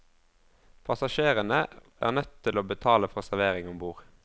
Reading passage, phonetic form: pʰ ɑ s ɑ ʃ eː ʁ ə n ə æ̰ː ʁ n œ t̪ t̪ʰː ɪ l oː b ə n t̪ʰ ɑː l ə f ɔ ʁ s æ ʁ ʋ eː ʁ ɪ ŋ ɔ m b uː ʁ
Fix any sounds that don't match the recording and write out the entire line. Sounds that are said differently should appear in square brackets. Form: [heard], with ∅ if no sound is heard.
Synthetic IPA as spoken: pʰ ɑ s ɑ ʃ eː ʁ ə n ə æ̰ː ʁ n œ t̪ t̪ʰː ɪ l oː b ə [∅] t̪ʰ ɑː l ə f ɔ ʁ s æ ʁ ʋ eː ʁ ɪ ŋ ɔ m b uː ʁ